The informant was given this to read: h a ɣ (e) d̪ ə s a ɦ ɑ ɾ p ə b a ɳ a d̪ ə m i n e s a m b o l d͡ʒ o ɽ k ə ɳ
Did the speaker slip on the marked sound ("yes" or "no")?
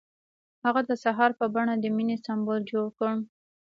yes